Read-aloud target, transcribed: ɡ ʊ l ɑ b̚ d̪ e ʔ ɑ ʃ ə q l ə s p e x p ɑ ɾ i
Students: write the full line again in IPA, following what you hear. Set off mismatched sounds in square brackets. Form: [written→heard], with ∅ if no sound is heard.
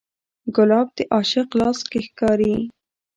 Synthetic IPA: ɡ ʊ l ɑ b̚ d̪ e ʔ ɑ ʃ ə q l [ə→ɑ] s [p→k] e x [p→k] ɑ ɾ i